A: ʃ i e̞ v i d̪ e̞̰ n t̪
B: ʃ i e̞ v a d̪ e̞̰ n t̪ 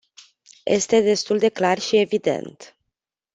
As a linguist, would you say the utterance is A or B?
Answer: A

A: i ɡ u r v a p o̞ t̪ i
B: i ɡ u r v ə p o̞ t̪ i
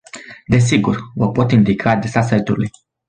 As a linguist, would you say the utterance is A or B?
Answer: B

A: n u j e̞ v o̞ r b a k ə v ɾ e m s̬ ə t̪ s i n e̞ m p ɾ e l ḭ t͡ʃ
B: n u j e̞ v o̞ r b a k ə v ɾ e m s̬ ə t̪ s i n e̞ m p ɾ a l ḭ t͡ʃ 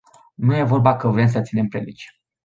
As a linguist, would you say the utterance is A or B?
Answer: A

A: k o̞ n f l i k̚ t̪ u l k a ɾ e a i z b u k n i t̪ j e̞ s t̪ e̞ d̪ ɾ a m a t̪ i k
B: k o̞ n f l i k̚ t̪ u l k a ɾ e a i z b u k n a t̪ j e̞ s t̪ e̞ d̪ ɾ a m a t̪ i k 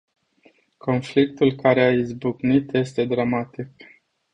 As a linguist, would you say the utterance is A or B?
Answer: A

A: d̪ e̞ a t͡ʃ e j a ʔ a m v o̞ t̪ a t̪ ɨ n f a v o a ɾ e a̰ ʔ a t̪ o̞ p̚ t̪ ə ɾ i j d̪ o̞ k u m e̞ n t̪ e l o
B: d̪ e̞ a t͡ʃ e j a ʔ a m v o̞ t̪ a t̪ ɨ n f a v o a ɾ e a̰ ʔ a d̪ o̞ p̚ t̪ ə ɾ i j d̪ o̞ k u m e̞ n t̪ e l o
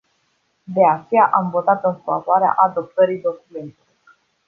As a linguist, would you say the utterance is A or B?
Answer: B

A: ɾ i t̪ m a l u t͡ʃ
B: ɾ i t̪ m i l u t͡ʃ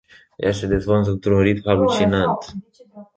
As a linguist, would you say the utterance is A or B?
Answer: A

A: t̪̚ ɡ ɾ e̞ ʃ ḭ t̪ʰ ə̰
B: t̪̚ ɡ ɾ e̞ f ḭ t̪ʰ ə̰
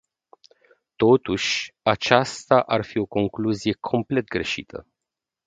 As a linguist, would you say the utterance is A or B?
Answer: A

